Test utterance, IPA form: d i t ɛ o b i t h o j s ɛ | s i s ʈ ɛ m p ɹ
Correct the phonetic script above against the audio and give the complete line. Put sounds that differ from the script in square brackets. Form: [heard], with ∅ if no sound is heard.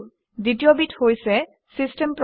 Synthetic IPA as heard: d i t [i] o b i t h o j s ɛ | s i s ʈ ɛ m p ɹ